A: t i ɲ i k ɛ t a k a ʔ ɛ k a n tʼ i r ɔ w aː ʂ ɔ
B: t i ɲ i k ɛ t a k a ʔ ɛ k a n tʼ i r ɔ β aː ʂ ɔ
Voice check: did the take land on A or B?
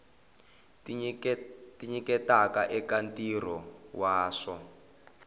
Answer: A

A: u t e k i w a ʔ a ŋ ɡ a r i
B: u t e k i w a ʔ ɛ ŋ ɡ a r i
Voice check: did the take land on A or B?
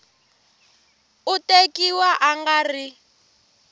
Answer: A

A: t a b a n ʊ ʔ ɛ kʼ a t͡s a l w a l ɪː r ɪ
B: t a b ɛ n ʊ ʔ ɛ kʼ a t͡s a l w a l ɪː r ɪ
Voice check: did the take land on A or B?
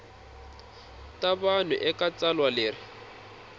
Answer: A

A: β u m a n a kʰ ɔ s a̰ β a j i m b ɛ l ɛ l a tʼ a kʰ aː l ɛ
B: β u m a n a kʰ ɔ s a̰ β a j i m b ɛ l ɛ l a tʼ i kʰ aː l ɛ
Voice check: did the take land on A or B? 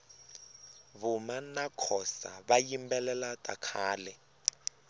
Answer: A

